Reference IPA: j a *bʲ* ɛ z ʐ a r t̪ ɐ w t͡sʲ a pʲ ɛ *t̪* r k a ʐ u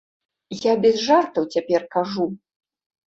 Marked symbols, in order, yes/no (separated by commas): yes, no